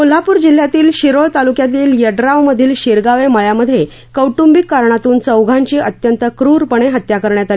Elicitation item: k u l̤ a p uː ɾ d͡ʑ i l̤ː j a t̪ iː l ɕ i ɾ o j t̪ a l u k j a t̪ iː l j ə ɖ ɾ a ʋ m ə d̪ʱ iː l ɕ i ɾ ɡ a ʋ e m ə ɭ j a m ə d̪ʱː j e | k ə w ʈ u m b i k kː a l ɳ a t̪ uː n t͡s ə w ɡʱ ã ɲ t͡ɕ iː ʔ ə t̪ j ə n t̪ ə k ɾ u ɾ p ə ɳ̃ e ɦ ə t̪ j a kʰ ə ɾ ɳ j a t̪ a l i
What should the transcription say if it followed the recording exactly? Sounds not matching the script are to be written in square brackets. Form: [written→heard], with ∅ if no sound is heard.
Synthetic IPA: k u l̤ a p uː ɾ d͡ʑ i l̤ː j a t̪ iː l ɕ i ɾ o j t̪ a l u k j a t̪ iː l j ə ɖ ɾ a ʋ m ə d̪ʱ iː l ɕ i ɾ ɡ a ʋ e m ə ɭ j a m ə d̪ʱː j e | k ə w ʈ u m b i k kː a [l→ɾ] ɳ a t̪ uː n t͡s ə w ɡʱ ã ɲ t͡ɕ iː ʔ ə t̪ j ə n t̪ ə k ɾ u ɾ p ə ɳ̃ e ɦ ə t̪ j a [kʰ→k] ə ɾ ɳ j a t̪ a l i

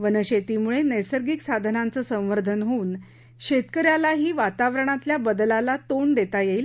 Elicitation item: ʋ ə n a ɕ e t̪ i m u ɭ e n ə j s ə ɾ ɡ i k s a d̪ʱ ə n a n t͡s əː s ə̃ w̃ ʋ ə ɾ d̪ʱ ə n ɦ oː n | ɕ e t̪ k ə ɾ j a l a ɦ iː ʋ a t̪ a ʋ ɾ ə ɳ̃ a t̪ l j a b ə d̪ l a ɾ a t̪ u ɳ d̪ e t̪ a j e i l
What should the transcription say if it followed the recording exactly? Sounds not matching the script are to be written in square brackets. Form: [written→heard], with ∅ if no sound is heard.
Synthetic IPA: ʋ ə n [a→ə] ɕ e t̪ i m u ɭ e n ə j s ə ɾ ɡ i k s a d̪ʱ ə n a n t͡s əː s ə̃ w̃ ʋ ə ɾ d̪ʱ ə n ɦ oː n | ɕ e t̪ k ə ɾ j a l a ɦ iː ʋ a t̪ a ʋ ɾ ə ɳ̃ a t̪ l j a b ə d̪ l a [ɾ→l] a t̪ [u→o] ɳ d̪ e t̪ a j e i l

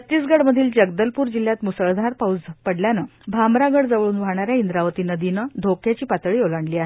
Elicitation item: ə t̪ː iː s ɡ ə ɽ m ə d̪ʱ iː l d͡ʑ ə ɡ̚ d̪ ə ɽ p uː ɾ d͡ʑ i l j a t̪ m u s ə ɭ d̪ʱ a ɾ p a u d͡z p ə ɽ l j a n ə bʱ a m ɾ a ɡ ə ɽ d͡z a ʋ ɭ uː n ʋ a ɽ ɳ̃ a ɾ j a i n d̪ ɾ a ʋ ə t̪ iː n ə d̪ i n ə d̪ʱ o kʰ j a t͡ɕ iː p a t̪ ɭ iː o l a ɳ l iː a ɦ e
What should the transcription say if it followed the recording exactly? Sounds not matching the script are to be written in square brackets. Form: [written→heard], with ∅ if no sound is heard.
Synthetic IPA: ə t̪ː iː s ɡ ə ɽ m ə d̪ʱ iː l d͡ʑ ə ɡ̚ d̪ ə [ɽ→l] p uː ɾ d͡ʑ i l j a t̪ m u s ə ɭ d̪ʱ a ɾ p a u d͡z p ə ɽ l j a n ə bʱ a m ɾ a ɡ ə ɽ d͡z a ʋ ɭ uː n ʋ a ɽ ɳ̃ a ɾ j a i n d̪ ɾ a ʋ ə t̪ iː n ə d̪ i n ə d̪ʱ o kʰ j a t͡ɕ iː p a t̪ ɭ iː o l a ɳ l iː a ɦ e

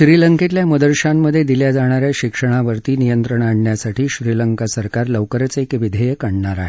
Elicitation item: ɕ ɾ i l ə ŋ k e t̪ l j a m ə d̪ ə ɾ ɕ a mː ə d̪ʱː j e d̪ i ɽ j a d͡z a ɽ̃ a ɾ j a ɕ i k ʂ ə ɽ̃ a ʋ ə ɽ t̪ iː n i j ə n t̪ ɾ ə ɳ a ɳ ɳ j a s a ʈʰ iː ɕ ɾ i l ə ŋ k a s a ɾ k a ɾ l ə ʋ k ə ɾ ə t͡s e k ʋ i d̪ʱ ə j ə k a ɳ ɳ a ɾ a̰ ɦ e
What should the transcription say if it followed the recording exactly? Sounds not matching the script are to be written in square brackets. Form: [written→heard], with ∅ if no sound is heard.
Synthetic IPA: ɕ ɾ i l ə ŋ k e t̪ l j a m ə d̪ ə ɾ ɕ a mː ə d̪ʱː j e d̪ i [ɽ→l] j a d͡z a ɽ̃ a ɾ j a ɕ i k ʂ ə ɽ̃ a ʋ ə [ɽ→ɾ] t̪ iː n i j ə n t̪ ɾ ə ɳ a ɳ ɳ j a s a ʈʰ iː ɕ ɾ i l ə ŋ k a s [a→ə] ɾ k a ɾ l ə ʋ k ə ɾ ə t͡s e k ʋ i d̪ʱ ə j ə k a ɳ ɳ a ɾ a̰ ɦ e

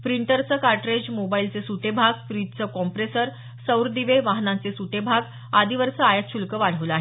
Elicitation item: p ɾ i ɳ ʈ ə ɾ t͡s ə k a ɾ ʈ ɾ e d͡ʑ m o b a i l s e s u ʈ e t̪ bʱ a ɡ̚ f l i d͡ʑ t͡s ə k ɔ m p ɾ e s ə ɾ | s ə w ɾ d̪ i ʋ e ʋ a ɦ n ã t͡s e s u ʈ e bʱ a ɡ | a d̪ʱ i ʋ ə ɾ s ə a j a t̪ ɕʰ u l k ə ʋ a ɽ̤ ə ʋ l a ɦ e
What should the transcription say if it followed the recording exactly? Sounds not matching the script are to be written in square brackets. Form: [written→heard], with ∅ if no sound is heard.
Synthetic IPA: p ɾ i ɳ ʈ ə ɾ t͡s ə k a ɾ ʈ ɾ e d͡ʑ m o b a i l [s→t͡s] e s u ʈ e [t̪→∅] bʱ a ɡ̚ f [l→ɾ] i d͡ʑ t͡s ə k ɔ m p ɾ e s ə ɾ | s ə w ɾ d̪ i ʋ e ʋ a ɦ n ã t͡s e s u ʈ e bʱ a ɡ | a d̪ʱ i ʋ ə ɾ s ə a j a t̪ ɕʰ u l k ə ʋ a ɽ̤ ə ʋ l a ɦ e

